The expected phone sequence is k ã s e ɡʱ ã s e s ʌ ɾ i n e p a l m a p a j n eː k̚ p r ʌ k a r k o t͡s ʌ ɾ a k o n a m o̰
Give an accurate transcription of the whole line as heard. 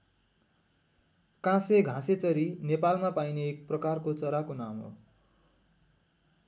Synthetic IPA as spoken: k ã s e ɡʱ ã s e t͡s ʌ ɾ i n e p a l m a p a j n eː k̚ p r ʌ k a r k o t͡s ʌ ɾ a k o n a m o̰